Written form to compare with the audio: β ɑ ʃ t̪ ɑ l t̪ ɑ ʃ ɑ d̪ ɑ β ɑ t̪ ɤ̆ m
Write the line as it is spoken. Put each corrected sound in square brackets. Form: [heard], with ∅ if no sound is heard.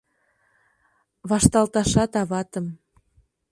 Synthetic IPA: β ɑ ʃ t̪ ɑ l t̪ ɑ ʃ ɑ [t̪] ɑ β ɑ t̪ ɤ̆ m